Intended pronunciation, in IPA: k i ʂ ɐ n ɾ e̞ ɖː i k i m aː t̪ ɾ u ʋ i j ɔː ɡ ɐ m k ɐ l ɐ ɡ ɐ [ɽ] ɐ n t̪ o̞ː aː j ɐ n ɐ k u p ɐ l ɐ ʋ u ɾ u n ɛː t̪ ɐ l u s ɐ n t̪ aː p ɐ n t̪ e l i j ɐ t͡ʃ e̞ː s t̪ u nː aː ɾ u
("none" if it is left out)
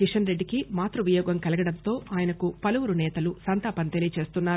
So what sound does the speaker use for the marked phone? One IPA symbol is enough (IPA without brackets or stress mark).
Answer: ɽ